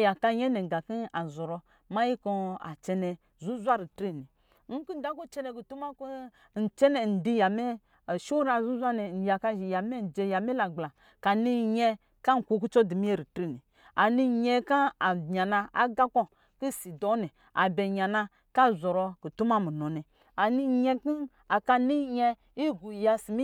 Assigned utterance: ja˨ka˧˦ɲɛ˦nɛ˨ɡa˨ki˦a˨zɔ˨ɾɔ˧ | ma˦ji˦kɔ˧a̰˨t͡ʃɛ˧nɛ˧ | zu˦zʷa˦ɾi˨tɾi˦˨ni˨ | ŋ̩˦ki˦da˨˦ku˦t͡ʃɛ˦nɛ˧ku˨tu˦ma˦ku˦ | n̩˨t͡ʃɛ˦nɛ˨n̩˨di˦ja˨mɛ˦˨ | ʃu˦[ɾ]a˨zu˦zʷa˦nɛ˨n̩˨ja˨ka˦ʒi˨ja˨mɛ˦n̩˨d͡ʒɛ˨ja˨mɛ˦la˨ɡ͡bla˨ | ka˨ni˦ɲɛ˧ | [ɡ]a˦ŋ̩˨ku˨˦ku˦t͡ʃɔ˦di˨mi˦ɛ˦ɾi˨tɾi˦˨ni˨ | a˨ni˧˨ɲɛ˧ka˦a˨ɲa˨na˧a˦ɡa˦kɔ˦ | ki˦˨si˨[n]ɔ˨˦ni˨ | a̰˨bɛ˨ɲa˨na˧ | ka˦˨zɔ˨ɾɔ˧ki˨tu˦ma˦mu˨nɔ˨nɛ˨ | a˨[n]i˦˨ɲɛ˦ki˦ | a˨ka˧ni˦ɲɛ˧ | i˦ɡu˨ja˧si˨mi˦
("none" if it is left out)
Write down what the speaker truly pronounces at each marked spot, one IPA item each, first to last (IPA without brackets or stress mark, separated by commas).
ɾ, k, d, n